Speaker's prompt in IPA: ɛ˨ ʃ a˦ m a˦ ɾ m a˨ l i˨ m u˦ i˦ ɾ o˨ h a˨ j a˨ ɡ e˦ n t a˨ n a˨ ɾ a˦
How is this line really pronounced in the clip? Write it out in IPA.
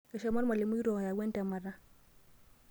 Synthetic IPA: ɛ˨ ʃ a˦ m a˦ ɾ m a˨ l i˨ m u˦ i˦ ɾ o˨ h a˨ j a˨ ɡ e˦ n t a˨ m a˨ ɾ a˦